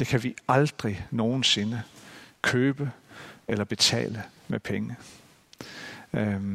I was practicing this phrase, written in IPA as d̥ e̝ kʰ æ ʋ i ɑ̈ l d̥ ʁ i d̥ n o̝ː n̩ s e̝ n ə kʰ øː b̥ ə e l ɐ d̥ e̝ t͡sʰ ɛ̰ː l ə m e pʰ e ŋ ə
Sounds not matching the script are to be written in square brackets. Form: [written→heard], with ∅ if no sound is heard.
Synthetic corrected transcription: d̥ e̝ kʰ æ ʋ i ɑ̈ l d̥ ʁ i [d̥→∅] n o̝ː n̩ s e̝ n ə kʰ øː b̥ ə e l ɐ [d̥→b̥] e̝ t͡sʰ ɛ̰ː l ə m e pʰ e ŋ ə